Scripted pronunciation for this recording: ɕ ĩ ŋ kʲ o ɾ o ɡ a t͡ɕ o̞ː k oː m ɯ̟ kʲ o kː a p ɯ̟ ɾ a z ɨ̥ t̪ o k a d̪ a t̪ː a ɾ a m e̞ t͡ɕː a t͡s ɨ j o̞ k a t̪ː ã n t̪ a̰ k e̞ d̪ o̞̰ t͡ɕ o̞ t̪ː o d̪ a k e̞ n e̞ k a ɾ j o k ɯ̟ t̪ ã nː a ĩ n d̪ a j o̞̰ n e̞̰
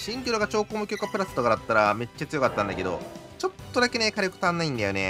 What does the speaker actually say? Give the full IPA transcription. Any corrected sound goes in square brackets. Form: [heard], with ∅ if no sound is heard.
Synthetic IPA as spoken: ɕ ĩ ŋ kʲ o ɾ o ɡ a t͡ɕ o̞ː k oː m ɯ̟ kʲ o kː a p ɯ̟ ɾ a [s] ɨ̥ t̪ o k a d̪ a t̪ː a ɾ a m e̞ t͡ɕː a t͡s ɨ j o̞ k a t̪ː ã n [d̪] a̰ k e̞ d̪ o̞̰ t͡ɕ o̞ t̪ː o d̪ a k e̞ n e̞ k a ɾ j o k ɯ̟ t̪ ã nː a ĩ n d̪ a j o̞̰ n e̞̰